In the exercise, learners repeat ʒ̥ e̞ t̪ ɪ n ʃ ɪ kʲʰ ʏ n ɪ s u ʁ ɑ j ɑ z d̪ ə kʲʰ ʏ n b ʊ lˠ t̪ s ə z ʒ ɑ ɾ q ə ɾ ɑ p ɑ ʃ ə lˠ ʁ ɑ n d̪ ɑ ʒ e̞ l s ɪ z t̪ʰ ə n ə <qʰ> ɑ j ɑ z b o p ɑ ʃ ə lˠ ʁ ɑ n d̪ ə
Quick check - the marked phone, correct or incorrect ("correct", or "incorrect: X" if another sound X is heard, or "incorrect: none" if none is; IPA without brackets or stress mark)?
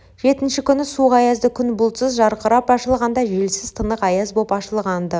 incorrect: q